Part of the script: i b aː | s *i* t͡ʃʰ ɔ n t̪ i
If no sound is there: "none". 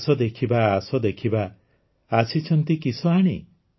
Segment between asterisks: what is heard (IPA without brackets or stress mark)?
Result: i